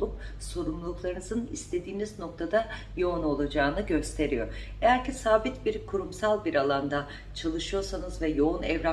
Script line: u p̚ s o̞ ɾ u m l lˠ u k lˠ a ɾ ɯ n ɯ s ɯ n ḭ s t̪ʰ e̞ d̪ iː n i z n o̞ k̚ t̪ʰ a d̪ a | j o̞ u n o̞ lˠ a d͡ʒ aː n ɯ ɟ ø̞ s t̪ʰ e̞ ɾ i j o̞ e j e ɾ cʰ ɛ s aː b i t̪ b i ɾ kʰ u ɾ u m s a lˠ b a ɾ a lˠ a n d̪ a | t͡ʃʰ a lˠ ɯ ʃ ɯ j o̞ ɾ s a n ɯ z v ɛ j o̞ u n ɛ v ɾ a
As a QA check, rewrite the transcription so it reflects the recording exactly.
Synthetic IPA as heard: u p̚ s o̞ ɾ u m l lˠ u k lˠ a ɾ ɯ n ɯ z ɯ n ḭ s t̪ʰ e̞ d̪ iː n i z n o̞ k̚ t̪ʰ a d̪ a | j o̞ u n o̞ lˠ a d͡ʒ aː n ɯ ɟ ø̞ s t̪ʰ e̞ ɾ i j o̞ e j æ ɾ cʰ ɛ s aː b i t̪ b i ɾ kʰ u ɾ u m s a lˠ b i ɾ a lˠ a n d̪ a | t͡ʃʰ a lˠ ɯ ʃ ɯ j o̞ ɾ s a n ɯ z v ɛ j o̞ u n ɛ v ɾ a